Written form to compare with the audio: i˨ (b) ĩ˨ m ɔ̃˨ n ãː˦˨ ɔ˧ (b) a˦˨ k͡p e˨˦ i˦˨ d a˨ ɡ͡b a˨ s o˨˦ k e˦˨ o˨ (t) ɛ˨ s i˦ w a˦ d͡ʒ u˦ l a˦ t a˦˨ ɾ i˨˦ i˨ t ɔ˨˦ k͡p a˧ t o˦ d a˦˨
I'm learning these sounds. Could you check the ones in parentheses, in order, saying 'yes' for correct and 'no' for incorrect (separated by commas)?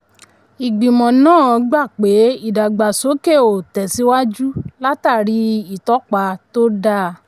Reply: no, no, yes